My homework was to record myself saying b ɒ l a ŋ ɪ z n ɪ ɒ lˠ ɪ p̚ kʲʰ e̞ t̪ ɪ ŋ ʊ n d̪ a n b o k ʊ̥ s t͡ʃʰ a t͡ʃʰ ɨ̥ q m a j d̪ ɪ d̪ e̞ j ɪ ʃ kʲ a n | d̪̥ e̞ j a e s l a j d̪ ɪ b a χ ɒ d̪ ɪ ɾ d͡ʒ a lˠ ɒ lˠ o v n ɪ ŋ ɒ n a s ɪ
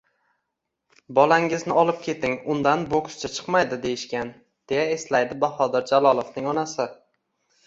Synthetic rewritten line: b ɒ l a ŋ ɪ z n ɪ ɒ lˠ ɪ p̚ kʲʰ e̞ t̪ ɪ ŋ ʊ n d̪ a n b o k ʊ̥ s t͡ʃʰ a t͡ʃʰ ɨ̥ q m a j d̪ ɪ d̪ e̞ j ɪ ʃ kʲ a n | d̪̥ e̞ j a e s l a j d̪ ɪ b a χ ɒ d̪ ɪ ɾ d͡ʒ a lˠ ɒ lˠ o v n ɪ ŋ ɒ n a s ɪ